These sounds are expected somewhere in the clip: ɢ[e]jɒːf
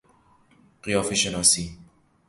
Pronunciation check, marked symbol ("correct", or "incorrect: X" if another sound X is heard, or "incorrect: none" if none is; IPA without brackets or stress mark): incorrect: i